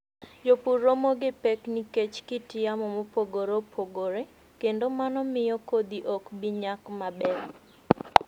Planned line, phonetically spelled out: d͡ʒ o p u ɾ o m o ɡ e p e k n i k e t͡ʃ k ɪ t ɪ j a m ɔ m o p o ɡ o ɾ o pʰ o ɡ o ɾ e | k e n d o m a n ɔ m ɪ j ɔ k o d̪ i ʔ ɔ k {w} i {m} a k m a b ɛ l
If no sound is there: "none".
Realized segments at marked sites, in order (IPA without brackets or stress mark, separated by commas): b, ɲ